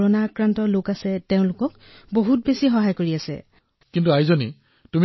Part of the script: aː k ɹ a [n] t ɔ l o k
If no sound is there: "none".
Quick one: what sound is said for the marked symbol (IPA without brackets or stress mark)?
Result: n